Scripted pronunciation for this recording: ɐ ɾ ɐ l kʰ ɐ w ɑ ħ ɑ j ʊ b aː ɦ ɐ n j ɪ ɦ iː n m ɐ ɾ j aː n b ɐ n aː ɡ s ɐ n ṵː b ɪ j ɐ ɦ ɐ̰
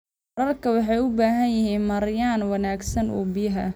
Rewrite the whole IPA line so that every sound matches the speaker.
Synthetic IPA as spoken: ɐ ɾ ɐ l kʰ ɐ w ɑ ħ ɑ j ʊ b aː ɦ ɐ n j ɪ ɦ iː n m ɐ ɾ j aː n w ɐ n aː ɡ s ɐ n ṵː b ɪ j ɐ ɦ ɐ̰